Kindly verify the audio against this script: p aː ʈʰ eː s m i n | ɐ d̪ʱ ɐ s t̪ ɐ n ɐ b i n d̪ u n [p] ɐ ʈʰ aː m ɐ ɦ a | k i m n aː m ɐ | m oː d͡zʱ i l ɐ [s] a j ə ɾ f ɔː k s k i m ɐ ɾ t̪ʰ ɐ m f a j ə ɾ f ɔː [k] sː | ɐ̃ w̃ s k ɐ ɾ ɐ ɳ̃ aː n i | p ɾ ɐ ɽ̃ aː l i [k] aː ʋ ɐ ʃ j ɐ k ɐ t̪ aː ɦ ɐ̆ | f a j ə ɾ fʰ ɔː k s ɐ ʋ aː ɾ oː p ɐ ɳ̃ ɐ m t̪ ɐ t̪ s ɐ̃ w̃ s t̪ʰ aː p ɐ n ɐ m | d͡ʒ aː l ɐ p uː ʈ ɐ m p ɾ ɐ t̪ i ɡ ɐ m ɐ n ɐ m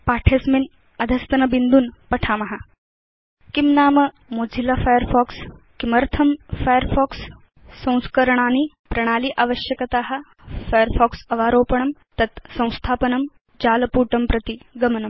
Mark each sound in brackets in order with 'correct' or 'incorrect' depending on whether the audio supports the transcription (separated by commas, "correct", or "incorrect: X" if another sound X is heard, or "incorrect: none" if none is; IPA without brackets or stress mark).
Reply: correct, incorrect: f, correct, incorrect: ʔ